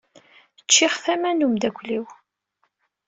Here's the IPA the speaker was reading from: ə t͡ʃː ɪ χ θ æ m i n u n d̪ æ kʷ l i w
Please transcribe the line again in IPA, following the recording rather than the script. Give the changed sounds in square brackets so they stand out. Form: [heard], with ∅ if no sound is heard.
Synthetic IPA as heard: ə t͡ʃː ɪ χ θ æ m [æ] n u [m] d̪ æ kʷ l i w